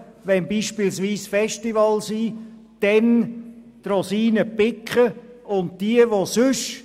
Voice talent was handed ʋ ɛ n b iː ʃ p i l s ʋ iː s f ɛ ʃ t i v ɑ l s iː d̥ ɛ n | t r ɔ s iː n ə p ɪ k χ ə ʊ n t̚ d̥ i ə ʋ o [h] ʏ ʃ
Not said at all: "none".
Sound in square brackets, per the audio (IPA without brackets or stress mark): s